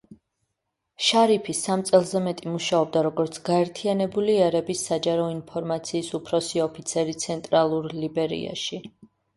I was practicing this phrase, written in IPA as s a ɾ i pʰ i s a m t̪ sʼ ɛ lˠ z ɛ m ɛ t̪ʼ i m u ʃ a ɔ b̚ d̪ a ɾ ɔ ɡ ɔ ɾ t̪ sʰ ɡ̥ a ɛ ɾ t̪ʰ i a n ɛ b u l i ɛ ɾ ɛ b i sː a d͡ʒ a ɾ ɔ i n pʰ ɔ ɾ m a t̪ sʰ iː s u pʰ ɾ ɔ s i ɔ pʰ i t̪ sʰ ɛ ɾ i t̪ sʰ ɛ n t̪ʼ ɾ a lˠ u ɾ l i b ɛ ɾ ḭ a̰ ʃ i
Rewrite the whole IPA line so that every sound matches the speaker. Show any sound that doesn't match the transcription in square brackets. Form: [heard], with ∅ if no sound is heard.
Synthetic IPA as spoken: [ʃ] a ɾ i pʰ i s a m t̪ sʼ ɛ lˠ z ɛ m ɛ t̪ʼ i m u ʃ a ɔ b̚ d̪ a ɾ ɔ ɡ ɔ ɾ t̪ sʰ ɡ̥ a ɛ ɾ t̪ʰ i a n ɛ b u l i ɛ ɾ ɛ b i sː a d͡ʒ a ɾ ɔ i n pʰ ɔ ɾ m a t̪ sʰ iː s u pʰ ɾ ɔ s i ɔ pʰ i t̪ sʰ ɛ ɾ i t̪ sʰ ɛ n t̪ʼ ɾ a lˠ u ɾ l i b ɛ ɾ ḭ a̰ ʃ i

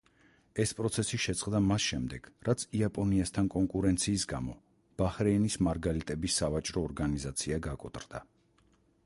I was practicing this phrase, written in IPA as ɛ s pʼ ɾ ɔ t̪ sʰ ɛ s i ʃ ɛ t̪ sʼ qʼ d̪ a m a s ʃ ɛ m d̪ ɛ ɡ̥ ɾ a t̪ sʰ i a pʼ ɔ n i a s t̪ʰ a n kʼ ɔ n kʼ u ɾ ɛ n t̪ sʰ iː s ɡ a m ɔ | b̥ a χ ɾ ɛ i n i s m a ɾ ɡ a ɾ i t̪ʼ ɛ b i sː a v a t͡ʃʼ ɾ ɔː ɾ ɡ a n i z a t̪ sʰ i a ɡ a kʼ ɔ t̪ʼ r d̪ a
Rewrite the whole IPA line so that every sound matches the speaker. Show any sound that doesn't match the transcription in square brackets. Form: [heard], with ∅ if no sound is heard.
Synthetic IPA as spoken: ɛ s pʼ ɾ ɔ t̪ sʰ ɛ s i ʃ ɛ t̪ sʼ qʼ d̪ a m a s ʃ ɛ m d̪ ɛ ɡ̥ ɾ a t̪ sʰ i a pʼ ɔ n i a s t̪ʰ a n kʼ ɔ [ŋ] kʼ u ɾ ɛ n t̪ sʰ iː s ɡ a m ɔ | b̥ a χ ɾ ɛ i n i s m a ɾ ɡ a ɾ i t̪ʼ ɛ b i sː a v a t͡ʃʼ ɾ ɔː ɾ ɡ a n i z a t̪ sʰ i a ɡ a kʼ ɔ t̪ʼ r d̪ a

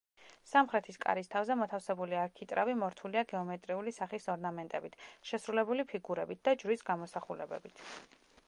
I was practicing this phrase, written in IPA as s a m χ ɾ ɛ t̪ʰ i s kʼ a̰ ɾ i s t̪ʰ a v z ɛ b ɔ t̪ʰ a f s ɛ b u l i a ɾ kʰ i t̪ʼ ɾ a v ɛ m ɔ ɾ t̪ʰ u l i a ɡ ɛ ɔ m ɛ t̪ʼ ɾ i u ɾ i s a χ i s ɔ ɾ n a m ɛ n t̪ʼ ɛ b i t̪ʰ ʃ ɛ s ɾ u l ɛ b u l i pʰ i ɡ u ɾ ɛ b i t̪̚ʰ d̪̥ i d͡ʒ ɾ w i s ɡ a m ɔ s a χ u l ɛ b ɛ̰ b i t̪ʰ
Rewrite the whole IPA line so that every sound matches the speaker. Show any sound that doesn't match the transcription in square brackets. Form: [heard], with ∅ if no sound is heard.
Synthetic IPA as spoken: s a m χ ɾ ɛ t̪ʰ i s kʼ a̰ ɾ i s t̪ʰ a v z ɛ [m] ɔ t̪ʰ a f s ɛ b u l i a ɾ kʰ i t̪ʼ ɾ a v [i] m ɔ ɾ t̪ʰ u l i a ɡ ɛ ɔ m ɛ t̪ʼ ɾ i u [l] i s a χ i s ɔ ɾ n a m ɛ n t̪ʼ ɛ b i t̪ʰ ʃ ɛ s ɾ u l ɛ b u l i pʰ i ɡ u ɾ ɛ b i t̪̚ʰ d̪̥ [a] d͡ʒ ɾ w i s ɡ a m ɔ s a χ u l ɛ b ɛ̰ b i t̪ʰ

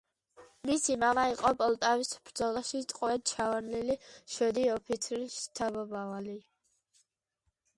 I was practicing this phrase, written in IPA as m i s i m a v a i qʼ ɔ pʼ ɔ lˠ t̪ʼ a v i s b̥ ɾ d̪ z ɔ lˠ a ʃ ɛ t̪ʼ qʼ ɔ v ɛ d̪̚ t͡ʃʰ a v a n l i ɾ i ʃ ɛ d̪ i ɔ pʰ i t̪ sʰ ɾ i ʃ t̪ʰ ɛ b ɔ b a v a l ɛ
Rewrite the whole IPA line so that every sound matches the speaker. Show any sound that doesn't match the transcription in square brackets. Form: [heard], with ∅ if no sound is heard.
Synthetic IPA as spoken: m i s i m a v a i qʼ ɔ pʼ ɔ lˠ t̪ʼ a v i s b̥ ɾ d̪ z ɔ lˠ a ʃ [i] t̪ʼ qʼ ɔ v ɛ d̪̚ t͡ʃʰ a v a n l i [l] i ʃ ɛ d̪ i ɔ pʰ i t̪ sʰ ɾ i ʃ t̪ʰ [a] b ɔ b a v a l [i]

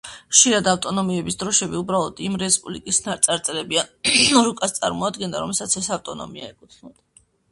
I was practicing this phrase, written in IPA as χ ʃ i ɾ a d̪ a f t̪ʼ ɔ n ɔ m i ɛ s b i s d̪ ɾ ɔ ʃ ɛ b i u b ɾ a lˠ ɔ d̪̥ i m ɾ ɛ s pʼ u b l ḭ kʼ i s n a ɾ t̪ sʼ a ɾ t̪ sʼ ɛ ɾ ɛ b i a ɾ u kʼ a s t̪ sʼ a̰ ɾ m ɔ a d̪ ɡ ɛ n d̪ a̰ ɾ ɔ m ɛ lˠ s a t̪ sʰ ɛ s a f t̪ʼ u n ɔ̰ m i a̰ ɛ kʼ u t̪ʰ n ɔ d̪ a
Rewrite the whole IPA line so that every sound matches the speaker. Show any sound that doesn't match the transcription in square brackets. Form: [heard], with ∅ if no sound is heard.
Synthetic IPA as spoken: χ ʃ i ɾ a d̪ a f t̪ʼ ɔ n ɔ m i ɛ [∅] b i s d̪ ɾ ɔ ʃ ɛ b i u b ɾ a lˠ ɔ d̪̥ i m ɾ ɛ s pʼ u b l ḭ kʼ i s n a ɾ t̪ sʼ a ɾ t̪ sʼ ɛ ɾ ɛ b i a ɾ u kʼ a s t̪ sʼ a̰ ɾ m ɔ a d̪ ɡ ɛ n d̪ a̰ ɾ ɔ m ɛ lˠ s a t̪ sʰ ɛ s a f t̪ʼ [ɔ] n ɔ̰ m i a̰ ɛ kʼ u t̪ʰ n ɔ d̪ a

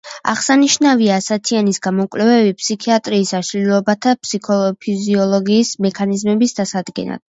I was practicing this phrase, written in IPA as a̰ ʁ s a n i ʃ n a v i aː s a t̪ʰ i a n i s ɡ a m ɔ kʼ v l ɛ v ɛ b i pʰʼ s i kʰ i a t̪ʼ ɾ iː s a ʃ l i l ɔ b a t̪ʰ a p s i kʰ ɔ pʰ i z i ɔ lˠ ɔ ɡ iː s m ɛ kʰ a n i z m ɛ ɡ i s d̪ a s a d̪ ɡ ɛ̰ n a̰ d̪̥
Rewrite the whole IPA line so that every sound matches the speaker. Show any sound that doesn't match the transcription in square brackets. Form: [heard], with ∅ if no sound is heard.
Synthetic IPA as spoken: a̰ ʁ s a n i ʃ n a v i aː s a t̪ʰ i a n i s ɡ a m ɔ kʼ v l ɛ v ɛ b i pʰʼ s i kʰ i a t̪ʼ ɾ iː s a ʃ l i l ɔ b a t̪ʰ a p s i kʰ ɔ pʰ i z i ɔ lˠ ɔ ɡ iː s m ɛ kʰ a n i z m ɛ [b] i s d̪ a s a d̪ ɡ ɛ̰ n a̰ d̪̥

